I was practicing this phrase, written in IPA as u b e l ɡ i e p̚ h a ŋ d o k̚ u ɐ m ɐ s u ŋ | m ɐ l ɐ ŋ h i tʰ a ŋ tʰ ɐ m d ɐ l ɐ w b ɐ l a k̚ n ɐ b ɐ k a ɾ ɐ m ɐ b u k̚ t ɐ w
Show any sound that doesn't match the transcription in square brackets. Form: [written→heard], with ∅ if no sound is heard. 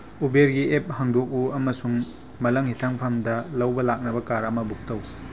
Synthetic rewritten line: u b e [l→ɾ] ɡ i e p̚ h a ŋ d o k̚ u ɐ m ɐ s u ŋ | m ɐ l ɐ ŋ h i tʰ a ŋ [tʰ→pʰ] ɐ m d ɐ l ɐ w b ɐ l a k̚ n ɐ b ɐ k a ɾ ɐ m ɐ b u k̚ t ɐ w

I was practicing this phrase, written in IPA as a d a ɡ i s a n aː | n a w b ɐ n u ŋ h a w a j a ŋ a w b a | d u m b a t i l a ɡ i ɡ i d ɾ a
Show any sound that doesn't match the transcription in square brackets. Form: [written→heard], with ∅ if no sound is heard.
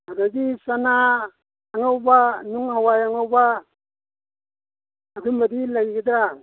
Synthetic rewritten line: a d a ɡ i s a n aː | [n→ŋ] a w b [ɐ→a] n u ŋ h a w a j a ŋ a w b a | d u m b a [t→d] i l a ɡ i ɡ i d ɾ a

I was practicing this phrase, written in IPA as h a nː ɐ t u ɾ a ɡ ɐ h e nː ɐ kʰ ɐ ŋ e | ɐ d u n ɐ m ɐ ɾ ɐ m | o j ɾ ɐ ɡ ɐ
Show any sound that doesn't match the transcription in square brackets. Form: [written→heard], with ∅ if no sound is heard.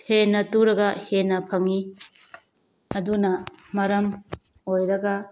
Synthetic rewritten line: h [a→e] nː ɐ t u ɾ [a→ɐ] ɡ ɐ h e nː ɐ [kʰ→pʰ] ɐ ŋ [e→i] | ɐ d u n ɐ m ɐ ɾ ɐ m | o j ɾ ɐ ɡ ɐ

